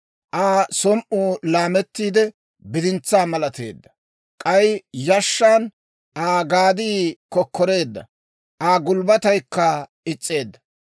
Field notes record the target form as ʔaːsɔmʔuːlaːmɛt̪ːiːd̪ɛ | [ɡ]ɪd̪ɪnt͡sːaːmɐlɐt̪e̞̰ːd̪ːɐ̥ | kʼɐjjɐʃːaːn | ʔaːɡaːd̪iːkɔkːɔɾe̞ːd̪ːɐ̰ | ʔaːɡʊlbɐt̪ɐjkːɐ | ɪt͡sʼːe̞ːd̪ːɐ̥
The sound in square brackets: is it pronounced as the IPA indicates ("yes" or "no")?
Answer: no